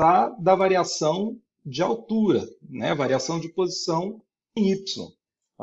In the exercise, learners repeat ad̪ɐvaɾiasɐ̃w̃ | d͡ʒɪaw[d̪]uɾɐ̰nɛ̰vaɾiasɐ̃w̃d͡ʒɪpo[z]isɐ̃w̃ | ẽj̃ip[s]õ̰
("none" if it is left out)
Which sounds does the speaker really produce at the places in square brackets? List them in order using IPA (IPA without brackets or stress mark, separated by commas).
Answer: t̪, z, s